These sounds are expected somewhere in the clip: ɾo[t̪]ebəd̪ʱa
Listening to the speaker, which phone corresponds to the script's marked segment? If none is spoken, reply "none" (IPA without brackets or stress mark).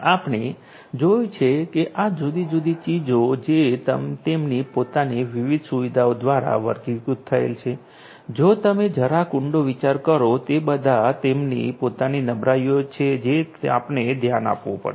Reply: t̪